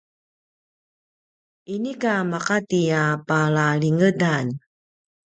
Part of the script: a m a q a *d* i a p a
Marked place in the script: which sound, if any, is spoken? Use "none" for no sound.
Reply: t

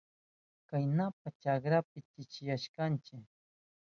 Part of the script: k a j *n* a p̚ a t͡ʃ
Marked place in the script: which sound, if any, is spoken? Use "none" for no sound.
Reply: n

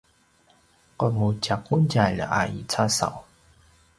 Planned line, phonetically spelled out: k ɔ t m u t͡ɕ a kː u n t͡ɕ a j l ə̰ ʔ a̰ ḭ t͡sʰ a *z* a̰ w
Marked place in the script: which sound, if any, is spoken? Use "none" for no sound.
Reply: s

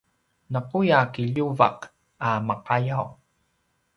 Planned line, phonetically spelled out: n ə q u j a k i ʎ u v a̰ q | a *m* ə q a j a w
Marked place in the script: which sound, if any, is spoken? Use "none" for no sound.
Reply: m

